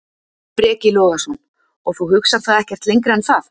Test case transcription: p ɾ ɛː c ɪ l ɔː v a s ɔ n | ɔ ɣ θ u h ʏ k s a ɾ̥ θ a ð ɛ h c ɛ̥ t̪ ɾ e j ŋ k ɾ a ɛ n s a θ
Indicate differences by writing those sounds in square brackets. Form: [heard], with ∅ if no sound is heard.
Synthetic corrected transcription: p ɾ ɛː c ɪ l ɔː [ɣ] a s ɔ n | ɔ ɣ θ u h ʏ k s a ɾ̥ θ a ð ɛ h c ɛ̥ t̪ [l] e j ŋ k ɾ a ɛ n [θ] a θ